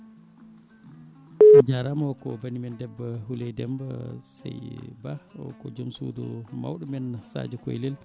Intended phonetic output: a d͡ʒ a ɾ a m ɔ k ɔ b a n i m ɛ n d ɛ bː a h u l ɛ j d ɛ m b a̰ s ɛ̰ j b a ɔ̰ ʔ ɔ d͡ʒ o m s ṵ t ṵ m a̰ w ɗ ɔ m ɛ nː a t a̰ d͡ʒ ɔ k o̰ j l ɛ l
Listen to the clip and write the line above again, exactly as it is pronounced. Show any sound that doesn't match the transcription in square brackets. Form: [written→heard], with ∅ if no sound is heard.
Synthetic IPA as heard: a d͡ʒ a ɾ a m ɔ k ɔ b a n i m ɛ n d ɛ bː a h u l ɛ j d ɛ m b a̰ s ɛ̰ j b a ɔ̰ [ʔ→k] ɔ d͡ʒ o m s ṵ [t→d] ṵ m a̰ w ɗ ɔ m ɛ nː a [t→s] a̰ d͡ʒ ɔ k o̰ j l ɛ l